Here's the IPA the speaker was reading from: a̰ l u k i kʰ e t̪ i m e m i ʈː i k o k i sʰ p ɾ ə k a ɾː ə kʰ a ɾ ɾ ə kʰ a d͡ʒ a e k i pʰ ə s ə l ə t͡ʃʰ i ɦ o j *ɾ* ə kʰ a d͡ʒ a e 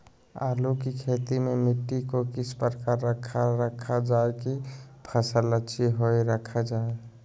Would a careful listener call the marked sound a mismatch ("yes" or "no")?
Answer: no